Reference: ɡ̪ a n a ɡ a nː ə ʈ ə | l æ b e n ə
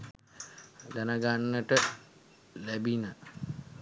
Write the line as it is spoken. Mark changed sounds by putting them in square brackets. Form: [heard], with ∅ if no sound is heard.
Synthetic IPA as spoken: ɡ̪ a n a ɡ a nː ə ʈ ə | l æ b [i] n ə

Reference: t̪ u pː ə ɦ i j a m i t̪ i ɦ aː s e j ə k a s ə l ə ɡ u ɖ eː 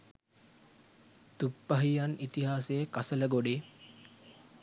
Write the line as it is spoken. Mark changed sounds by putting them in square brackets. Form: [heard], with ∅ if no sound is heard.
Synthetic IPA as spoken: t̪ u pː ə ɦ i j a [n] i t̪ i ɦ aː s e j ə k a s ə l ə ɡ [o] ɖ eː

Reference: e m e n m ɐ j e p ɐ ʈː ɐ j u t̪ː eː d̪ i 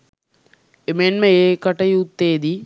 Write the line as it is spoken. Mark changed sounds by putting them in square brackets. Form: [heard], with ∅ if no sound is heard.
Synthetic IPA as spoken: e m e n m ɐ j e [k] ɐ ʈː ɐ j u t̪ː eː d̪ i

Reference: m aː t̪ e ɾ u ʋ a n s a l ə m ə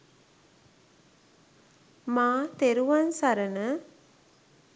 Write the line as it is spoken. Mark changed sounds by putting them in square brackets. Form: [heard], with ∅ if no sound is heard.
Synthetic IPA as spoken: m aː t̪ e ɾ u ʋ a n s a [ɾ] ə [n] ə

